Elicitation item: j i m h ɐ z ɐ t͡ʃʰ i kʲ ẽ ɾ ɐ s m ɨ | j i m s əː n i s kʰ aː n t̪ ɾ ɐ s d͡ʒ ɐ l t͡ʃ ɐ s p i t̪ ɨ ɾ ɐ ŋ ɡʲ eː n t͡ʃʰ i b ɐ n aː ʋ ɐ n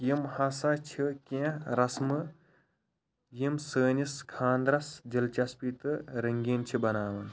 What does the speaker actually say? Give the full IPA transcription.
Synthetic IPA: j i m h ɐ s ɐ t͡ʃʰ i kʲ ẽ ɾ ɐ s m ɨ | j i m s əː n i s kʰ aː n d̪ ɾ ɐ s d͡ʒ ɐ l t͡ʃ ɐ s p i t̪ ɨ ɾ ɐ ŋ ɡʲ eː n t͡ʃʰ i b ɐ n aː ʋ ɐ n